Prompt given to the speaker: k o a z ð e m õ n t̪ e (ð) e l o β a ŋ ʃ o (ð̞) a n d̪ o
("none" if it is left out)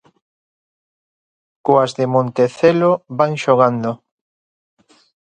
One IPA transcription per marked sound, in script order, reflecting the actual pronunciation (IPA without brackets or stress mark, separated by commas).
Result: θ, ɣ̞